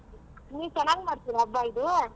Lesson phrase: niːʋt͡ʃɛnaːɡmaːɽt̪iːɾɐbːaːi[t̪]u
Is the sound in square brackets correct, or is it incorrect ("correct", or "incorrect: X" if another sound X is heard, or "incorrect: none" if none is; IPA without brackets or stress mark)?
incorrect: d̪